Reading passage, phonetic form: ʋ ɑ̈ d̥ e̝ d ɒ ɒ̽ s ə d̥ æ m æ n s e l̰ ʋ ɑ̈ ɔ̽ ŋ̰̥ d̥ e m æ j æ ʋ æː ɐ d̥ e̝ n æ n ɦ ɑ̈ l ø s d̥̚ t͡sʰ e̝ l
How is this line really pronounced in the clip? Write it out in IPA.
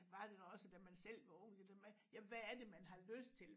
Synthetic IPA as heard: ʋ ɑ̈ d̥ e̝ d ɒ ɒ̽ s ə d̥ æ m æ n s e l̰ ʋ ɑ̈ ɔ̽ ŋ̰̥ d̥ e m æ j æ ʋ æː ɐ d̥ e̝ m æ n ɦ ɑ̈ l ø s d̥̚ t͡sʰ e̝ l